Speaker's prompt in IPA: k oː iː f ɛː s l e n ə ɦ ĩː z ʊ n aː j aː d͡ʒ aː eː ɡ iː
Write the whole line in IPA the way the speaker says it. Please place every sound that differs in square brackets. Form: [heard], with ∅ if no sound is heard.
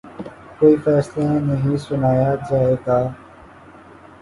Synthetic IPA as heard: k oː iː f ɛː s l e n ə ɦ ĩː [s] ʊ n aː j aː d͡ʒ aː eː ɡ [aː]